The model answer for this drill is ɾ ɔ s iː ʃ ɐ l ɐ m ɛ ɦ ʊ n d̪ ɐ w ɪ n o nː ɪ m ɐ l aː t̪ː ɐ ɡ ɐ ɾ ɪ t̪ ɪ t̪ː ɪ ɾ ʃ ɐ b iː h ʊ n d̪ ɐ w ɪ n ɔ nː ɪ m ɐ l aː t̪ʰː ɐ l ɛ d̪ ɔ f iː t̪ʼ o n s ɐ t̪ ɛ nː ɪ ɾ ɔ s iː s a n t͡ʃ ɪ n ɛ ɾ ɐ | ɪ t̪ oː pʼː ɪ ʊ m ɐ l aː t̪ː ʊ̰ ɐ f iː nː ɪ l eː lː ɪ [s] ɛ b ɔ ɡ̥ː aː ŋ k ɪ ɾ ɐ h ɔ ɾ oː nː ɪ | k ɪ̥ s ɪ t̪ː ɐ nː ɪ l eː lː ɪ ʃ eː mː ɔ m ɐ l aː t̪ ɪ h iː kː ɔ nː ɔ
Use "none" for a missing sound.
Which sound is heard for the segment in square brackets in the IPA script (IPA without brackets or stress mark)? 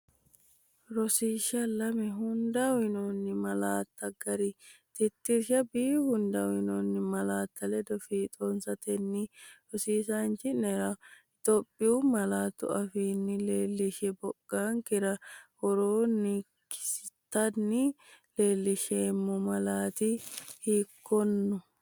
ʃ